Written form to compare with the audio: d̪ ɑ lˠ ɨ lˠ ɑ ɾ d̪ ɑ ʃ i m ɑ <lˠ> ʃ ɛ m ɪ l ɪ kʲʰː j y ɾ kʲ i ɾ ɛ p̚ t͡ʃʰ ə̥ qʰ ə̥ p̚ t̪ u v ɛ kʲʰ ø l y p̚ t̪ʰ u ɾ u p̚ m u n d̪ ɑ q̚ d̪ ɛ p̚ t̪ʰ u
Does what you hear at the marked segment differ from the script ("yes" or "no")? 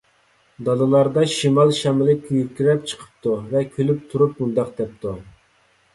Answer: no